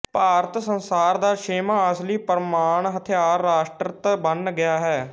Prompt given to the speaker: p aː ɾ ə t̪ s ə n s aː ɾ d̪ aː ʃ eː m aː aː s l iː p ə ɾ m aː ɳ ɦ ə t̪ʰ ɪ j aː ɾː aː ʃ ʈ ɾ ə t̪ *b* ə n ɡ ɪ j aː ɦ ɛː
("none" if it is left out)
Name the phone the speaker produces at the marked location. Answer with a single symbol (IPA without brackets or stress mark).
b